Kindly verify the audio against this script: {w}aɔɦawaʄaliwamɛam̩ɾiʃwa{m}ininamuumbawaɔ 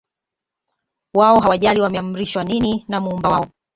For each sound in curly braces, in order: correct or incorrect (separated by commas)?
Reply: correct, incorrect